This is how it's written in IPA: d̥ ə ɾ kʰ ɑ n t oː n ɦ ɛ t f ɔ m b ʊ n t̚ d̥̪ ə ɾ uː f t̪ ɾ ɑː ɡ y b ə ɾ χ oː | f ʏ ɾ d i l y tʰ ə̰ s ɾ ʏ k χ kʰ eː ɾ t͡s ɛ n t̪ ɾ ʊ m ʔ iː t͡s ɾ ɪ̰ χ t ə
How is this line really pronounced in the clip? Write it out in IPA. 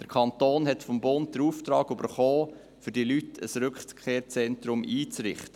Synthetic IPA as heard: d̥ ə ɾ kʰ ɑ n t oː n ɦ ɛ t f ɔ m b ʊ n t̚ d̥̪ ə ɾ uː f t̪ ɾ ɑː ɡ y b ə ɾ χ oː | f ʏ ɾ d i l y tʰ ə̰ s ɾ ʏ k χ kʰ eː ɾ t͡s ɛ n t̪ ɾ ʊ m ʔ iː t͡s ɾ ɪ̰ χ t ə